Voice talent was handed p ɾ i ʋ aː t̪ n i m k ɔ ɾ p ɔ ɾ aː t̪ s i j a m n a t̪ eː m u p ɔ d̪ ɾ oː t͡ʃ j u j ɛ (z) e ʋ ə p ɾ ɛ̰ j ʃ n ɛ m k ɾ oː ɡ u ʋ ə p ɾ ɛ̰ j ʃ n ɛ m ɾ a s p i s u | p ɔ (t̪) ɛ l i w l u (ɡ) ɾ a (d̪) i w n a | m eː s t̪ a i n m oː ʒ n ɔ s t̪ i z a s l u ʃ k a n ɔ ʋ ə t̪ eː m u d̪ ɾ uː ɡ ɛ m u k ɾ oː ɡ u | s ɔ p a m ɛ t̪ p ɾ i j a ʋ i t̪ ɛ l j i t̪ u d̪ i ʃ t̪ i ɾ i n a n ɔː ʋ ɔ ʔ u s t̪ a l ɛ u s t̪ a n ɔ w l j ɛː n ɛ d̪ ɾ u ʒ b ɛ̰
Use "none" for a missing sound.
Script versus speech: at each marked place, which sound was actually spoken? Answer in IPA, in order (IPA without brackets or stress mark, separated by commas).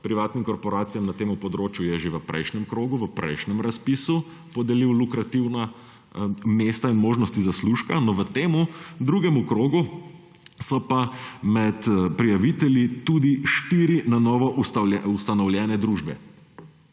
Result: ʒ, d̪, k, t̪